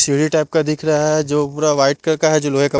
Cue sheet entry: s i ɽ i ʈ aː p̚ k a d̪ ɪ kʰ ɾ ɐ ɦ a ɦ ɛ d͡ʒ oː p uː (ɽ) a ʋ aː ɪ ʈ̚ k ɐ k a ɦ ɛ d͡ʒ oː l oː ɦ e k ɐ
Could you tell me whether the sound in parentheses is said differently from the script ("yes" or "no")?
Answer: yes